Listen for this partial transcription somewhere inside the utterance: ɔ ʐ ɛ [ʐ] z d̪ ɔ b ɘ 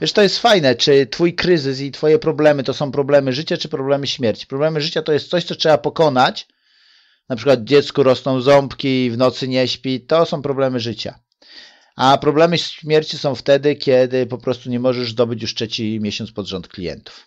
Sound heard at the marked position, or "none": ʐ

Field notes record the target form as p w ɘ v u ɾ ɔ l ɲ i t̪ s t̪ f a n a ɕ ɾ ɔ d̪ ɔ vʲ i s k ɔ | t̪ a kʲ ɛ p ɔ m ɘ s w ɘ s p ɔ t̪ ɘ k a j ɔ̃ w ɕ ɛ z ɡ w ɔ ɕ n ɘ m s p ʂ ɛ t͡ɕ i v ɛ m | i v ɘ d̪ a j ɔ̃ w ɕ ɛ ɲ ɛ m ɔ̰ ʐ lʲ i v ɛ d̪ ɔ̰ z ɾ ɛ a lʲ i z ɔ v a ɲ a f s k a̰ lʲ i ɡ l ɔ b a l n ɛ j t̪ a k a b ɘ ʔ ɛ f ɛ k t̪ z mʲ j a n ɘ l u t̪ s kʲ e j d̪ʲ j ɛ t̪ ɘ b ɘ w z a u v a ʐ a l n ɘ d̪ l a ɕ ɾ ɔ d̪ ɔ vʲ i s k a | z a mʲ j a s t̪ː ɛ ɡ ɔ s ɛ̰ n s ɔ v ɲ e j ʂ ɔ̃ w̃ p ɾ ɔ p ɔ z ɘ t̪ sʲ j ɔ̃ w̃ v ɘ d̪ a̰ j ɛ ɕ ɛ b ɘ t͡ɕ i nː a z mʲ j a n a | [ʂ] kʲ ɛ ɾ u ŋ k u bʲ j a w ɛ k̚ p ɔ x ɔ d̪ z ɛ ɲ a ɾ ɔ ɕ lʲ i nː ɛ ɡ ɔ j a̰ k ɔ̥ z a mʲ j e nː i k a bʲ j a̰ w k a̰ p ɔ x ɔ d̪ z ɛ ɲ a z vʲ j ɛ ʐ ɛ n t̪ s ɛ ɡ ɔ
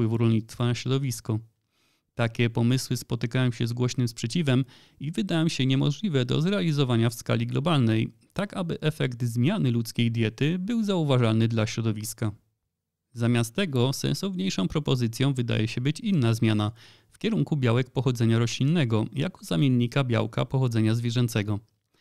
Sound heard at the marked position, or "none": f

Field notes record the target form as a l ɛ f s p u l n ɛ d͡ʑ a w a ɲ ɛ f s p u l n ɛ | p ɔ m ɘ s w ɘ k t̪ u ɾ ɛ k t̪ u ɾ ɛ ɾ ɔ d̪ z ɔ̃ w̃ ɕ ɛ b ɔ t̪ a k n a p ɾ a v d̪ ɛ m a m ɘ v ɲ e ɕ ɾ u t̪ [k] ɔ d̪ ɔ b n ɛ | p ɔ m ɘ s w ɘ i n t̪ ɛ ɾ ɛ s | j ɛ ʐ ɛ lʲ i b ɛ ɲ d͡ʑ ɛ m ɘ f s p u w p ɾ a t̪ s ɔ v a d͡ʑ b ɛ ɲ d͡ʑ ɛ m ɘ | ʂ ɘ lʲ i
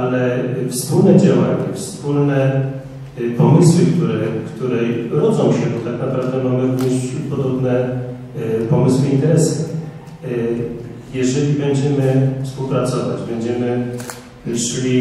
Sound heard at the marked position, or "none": p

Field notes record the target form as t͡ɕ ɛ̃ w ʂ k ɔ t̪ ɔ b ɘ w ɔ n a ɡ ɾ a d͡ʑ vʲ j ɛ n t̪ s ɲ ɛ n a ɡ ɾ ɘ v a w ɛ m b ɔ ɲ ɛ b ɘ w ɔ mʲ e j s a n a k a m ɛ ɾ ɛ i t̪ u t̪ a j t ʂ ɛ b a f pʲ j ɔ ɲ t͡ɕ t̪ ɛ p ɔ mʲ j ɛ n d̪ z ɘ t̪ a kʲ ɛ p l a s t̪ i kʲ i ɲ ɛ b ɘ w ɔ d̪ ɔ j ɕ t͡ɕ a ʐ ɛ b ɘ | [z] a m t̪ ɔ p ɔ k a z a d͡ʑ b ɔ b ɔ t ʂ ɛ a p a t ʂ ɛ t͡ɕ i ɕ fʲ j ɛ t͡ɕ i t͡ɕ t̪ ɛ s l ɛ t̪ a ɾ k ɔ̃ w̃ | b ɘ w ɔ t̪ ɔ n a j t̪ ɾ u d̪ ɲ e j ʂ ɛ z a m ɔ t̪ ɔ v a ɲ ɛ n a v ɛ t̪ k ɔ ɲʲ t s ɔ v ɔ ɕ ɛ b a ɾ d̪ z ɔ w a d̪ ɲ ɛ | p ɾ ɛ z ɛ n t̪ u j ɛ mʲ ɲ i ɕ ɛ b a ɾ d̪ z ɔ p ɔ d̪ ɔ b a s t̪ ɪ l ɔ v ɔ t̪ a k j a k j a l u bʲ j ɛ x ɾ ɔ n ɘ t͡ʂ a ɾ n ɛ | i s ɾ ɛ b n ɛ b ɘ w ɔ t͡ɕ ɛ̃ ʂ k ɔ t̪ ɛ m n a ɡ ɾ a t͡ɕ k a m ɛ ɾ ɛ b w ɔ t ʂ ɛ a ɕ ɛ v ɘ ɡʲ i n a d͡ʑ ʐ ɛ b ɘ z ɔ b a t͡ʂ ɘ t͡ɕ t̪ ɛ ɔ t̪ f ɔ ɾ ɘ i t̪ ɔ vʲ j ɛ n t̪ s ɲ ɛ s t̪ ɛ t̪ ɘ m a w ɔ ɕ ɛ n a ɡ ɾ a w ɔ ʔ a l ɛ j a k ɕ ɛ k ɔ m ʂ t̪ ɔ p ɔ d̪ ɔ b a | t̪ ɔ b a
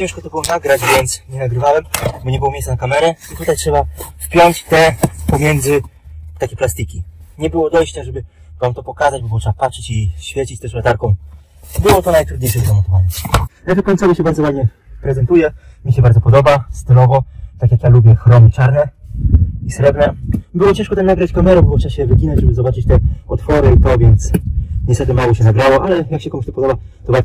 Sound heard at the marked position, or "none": v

